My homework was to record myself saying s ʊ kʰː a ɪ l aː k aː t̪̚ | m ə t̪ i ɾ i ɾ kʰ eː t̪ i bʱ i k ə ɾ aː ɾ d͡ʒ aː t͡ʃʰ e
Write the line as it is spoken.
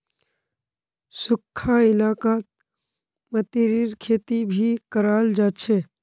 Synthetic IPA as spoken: s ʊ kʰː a ɪ l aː k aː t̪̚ | m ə t̪ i ɾ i ɾ kʰ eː t̪ i bʱ i k ə ɾ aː l d͡ʒ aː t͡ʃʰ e